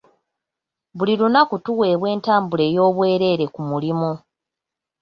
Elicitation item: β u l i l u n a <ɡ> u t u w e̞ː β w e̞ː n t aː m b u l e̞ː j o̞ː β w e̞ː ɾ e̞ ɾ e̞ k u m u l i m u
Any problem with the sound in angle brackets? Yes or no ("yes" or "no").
yes